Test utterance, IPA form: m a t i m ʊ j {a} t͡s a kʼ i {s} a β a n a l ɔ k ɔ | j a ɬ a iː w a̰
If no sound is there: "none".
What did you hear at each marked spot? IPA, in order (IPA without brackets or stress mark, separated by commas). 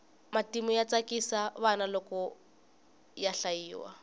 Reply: a, s